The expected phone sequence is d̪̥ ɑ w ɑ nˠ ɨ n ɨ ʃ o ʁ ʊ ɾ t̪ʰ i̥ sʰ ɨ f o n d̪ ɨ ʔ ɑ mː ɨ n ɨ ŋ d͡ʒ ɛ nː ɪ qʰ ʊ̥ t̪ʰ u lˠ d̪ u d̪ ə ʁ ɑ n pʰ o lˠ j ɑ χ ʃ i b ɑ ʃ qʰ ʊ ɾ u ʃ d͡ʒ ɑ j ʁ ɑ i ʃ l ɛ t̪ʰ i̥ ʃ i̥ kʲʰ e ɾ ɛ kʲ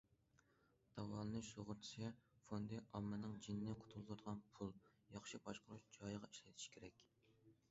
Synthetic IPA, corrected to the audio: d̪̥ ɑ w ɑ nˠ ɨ n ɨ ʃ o ʁ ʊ ɾ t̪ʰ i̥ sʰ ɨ f o n d̪ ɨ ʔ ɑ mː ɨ n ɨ ŋ d͡ʒ i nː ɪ qʰ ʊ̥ t̪ʰ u lˠ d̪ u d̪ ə ʁ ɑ n pʰ u lˠ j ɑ χ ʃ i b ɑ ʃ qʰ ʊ ɾ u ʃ d͡ʒ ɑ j ʁ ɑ i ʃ l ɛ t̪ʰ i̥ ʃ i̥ kʲʰ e ɾ ɛ kʲ